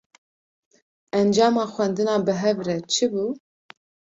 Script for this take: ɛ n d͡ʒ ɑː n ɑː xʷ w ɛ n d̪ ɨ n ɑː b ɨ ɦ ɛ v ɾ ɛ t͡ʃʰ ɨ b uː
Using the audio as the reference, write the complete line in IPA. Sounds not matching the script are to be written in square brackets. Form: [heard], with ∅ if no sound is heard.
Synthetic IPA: ɛ n d͡ʒ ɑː [m] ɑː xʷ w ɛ n d̪ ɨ n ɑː b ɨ ɦ ɛ v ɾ ɛ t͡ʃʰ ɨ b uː